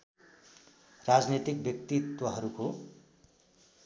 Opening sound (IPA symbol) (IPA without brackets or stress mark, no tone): r